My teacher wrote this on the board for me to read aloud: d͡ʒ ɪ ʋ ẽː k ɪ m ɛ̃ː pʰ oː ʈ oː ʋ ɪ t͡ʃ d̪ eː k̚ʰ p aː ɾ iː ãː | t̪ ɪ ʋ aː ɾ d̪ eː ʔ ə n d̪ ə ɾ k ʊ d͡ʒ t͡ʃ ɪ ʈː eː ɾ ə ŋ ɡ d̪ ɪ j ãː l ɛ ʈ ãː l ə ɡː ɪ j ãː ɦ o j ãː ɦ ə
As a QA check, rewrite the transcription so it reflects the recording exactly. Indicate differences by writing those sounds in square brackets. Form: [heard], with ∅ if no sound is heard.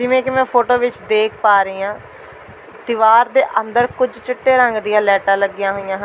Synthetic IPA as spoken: d͡ʒ ɪ ʋ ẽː k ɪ m ɛ̃ː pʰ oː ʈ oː ʋ ɪ t͡ʃ d̪ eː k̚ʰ p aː ɾ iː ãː | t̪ ɪ ʋ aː ɾ d̪ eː ʔ ə n d̪ ə ɾ k ʊ d͡ʒ t͡ʃ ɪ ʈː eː ɾ ə ŋ ɡ d̪ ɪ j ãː l [ɛː] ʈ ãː l ə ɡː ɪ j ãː ɦ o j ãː ɦ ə

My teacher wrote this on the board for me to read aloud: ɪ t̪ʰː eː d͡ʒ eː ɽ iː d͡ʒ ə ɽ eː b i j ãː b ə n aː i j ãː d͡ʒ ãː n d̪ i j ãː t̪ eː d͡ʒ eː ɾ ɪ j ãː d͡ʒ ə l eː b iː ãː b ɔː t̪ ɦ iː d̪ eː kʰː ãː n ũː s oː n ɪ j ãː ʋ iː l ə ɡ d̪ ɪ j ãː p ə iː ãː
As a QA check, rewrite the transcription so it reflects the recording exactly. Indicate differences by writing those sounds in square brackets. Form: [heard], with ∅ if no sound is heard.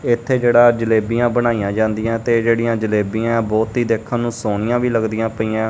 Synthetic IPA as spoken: ɪ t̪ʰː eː d͡ʒ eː ɽ [aː] d͡ʒ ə [l] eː b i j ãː b ə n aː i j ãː d͡ʒ ãː n d̪ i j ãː t̪ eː d͡ʒ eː [ɽ] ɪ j ãː d͡ʒ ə l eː b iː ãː b ɔː t̪ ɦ iː d̪ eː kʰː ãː n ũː s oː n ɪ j ãː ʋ iː l ə ɡ d̪ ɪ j ãː p ə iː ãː

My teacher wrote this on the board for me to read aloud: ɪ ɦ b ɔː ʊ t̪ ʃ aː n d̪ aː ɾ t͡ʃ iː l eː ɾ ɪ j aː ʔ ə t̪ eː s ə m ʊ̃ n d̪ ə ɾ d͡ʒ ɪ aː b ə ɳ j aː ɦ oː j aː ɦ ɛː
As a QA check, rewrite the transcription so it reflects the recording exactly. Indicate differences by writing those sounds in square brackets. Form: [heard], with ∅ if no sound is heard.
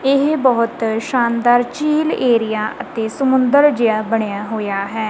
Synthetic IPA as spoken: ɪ ɦ b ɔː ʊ t̪ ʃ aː n d̪ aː ɾ t͡ʃ iː l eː ɾ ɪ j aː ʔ ə t̪ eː s ə m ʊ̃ n d̪ ə ɾ d͡ʒ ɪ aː b ə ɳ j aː ɦ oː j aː ɦ ɛː

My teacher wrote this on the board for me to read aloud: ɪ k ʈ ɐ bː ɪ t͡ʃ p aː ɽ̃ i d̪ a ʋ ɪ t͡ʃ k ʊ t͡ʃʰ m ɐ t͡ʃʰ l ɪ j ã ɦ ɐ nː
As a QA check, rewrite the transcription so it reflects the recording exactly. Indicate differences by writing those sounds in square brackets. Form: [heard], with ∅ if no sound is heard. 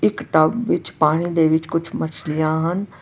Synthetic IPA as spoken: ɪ k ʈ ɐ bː ɪ t͡ʃ p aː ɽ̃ i d̪ [e] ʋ ɪ t͡ʃ k ʊ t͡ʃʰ m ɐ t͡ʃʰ l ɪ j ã ɦ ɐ [n]

